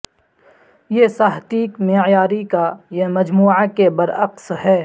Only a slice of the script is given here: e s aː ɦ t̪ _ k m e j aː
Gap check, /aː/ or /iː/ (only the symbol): iː